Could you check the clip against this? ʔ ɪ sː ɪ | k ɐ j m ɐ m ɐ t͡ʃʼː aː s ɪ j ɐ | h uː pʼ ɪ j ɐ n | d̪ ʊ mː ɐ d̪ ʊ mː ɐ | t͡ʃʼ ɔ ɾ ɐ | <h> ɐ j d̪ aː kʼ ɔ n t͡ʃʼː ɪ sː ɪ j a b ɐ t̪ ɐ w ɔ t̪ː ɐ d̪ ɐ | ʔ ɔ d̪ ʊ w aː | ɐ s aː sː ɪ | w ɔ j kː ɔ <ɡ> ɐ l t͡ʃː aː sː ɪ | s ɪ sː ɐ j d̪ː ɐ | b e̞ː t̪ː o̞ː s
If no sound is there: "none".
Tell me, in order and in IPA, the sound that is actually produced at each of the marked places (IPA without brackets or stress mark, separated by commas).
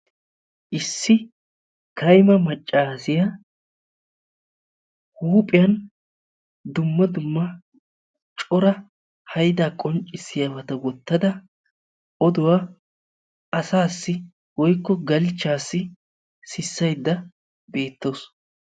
h, ɡ